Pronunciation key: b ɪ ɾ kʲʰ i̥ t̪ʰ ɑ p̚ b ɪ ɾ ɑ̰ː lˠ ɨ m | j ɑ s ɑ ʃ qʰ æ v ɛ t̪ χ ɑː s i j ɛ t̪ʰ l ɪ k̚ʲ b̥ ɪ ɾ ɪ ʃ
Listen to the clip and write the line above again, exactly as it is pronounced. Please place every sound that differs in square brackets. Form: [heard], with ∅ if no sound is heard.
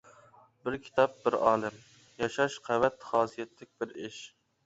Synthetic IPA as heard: b ɪ ɾ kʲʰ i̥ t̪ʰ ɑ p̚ b ɪ ɾ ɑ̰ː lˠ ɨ m | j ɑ [ʃ] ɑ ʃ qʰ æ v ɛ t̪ χ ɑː s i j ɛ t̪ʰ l ɪ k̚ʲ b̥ ɪ ɾ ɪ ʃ